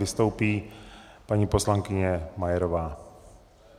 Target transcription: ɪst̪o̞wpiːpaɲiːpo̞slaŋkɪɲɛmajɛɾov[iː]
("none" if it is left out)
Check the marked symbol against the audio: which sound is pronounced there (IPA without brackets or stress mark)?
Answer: aː